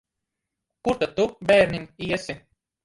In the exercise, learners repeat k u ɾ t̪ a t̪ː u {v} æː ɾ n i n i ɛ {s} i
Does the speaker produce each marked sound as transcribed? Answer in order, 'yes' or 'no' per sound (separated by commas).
no, yes